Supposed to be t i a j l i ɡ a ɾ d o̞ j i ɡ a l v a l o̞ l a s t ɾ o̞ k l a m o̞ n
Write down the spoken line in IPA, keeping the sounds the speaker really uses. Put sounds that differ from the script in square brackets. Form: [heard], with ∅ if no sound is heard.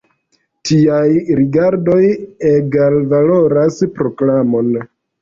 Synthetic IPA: t i a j [ɾ] i ɡ a ɾ d o̞ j [e] ɡ a l v a l o̞ [ɾ] a s [p] ɾ o̞ k l a m o̞ n